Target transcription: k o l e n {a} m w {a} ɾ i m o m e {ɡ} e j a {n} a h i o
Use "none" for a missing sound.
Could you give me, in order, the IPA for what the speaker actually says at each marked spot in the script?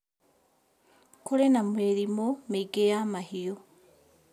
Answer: a, e, ɡ, m

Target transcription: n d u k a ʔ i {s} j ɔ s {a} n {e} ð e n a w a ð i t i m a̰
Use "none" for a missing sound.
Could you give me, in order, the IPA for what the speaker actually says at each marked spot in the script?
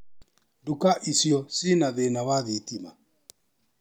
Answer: s, i, a

